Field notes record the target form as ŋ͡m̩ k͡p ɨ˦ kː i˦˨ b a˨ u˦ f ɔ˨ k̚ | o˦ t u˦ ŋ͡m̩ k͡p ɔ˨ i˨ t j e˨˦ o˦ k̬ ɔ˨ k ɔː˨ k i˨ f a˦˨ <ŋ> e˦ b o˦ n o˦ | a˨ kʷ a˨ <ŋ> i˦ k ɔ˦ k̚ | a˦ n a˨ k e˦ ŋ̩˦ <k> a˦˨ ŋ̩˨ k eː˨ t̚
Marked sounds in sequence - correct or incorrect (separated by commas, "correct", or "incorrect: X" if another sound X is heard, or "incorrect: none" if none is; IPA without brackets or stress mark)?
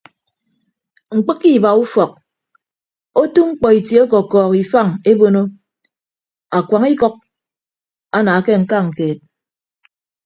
correct, correct, correct